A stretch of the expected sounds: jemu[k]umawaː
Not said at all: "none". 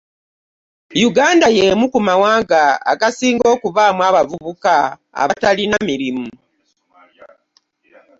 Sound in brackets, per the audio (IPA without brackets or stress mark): k